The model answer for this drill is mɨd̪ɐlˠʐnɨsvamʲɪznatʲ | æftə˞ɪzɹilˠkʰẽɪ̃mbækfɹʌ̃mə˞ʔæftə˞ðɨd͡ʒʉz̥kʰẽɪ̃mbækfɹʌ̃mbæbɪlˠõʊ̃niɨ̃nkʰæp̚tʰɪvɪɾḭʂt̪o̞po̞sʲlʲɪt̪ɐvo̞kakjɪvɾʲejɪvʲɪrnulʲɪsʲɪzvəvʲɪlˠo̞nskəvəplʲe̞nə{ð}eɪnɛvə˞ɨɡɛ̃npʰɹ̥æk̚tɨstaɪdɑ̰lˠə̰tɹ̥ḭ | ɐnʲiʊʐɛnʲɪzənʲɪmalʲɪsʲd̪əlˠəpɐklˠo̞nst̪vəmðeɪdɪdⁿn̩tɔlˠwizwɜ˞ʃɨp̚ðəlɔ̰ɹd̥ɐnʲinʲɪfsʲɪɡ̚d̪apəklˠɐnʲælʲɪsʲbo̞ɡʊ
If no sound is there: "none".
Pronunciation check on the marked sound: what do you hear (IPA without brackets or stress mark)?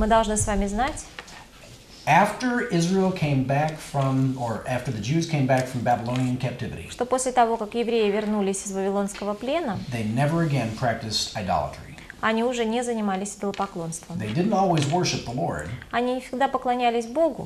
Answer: ð